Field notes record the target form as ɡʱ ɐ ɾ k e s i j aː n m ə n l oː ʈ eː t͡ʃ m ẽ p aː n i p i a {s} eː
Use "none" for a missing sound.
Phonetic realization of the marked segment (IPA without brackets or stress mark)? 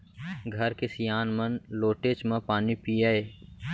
none